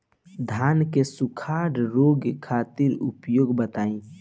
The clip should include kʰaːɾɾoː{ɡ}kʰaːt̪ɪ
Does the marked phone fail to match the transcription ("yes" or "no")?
no